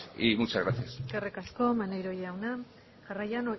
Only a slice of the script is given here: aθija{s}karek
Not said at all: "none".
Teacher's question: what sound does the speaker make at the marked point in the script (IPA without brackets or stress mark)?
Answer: s